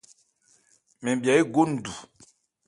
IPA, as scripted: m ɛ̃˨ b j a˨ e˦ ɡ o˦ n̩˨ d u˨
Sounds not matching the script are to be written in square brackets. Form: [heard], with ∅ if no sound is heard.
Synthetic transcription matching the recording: m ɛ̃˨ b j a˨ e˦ ɡ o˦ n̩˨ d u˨